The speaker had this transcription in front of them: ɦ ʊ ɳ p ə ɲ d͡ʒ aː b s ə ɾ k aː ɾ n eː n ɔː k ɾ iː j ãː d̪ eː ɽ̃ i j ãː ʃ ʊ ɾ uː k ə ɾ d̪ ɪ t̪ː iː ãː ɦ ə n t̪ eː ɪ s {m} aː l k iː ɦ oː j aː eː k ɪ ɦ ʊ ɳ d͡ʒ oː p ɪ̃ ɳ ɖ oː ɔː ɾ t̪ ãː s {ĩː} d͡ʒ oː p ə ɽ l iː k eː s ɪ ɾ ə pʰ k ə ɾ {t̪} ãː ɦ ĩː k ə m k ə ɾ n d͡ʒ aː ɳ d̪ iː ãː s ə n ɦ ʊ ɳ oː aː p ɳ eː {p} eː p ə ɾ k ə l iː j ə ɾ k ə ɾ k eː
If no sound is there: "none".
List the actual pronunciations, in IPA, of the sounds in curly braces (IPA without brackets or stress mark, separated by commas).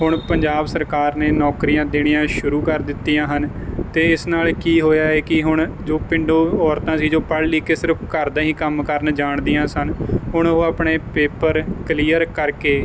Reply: n, iː, d̪, p